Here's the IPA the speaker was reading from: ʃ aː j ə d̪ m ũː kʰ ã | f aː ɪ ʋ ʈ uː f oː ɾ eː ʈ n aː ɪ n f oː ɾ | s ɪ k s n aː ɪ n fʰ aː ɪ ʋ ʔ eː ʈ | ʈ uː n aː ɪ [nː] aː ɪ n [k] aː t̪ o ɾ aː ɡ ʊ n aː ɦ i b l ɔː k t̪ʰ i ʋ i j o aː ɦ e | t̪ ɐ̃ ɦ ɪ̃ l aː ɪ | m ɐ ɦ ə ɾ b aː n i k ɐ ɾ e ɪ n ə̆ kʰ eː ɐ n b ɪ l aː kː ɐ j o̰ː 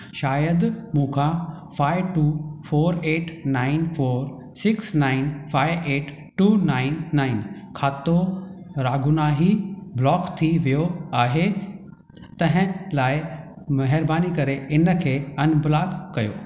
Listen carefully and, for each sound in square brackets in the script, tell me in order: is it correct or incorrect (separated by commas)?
correct, incorrect